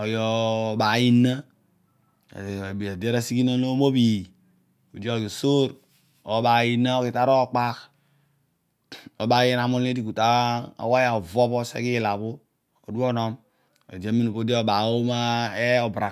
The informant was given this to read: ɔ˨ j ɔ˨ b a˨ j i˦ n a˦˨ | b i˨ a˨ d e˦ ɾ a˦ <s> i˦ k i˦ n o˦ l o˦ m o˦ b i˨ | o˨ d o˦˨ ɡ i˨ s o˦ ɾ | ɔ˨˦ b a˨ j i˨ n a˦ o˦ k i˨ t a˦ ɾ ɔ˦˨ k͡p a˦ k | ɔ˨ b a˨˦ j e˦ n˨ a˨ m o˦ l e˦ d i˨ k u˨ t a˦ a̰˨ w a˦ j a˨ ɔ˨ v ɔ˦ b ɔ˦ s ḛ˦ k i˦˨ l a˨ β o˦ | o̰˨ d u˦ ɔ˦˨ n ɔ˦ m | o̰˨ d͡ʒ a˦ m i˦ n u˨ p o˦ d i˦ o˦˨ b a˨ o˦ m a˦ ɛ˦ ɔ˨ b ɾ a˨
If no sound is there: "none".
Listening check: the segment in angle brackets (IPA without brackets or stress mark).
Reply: s